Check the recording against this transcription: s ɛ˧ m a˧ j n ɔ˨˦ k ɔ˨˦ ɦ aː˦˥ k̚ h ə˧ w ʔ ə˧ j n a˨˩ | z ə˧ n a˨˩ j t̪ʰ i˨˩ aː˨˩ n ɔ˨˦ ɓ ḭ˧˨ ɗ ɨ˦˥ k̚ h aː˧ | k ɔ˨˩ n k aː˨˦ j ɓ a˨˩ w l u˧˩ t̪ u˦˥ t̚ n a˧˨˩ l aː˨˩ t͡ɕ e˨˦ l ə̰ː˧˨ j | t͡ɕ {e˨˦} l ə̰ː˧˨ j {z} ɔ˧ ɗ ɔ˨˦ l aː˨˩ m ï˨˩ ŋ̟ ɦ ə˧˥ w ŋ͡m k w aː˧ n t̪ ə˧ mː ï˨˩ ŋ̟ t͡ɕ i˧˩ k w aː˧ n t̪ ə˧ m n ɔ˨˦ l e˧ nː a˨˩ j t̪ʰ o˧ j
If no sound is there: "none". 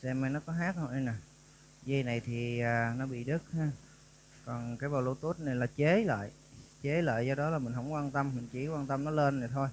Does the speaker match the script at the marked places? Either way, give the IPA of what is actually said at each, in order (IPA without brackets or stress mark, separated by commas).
e˨˦, z